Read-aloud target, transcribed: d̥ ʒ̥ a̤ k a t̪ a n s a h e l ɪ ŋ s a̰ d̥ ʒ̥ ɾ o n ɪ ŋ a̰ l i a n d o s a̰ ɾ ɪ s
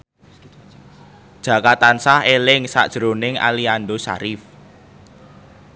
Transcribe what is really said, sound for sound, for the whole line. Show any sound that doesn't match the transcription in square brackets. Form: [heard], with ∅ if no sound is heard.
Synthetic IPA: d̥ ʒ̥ a̤ k a t̪ a n s a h e l ɪ ŋ s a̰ d̥ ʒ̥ ɾ o n ɪ ŋ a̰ l i a n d o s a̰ ɾ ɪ [f]